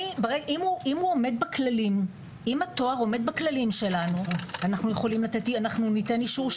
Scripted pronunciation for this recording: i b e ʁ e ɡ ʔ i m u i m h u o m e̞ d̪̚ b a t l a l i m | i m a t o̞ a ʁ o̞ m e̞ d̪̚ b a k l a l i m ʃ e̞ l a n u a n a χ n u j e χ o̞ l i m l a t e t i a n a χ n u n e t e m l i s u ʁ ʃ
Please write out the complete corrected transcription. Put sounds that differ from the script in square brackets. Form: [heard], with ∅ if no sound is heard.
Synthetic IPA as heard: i b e ʁ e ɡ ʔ i m u i m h u o m e̞ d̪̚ b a [k] l a l i m | i m a t o̞ a ʁ o̞ m e̞ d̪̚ b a k l a l i m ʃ e̞ l a n u a n a χ n u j e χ o̞ l i m l a t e t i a n a χ n u n [i] t e [n] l i [ʃ] u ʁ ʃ